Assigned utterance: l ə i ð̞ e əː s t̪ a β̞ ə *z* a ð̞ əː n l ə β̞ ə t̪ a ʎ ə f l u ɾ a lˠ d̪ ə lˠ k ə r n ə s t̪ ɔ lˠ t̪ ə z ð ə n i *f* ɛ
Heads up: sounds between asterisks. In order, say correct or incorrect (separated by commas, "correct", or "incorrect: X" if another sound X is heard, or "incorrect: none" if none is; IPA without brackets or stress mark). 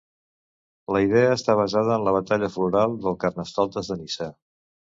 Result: correct, incorrect: s